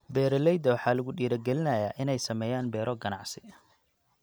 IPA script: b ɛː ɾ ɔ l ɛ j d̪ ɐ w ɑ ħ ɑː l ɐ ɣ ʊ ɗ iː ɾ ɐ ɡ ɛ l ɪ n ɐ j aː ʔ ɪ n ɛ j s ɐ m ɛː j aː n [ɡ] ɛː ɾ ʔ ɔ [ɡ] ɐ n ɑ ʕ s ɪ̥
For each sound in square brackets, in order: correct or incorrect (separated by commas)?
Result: incorrect, correct